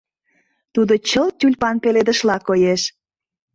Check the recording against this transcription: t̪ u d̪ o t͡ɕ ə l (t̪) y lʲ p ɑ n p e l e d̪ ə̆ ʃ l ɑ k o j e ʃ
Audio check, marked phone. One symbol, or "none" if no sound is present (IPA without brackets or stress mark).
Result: t̪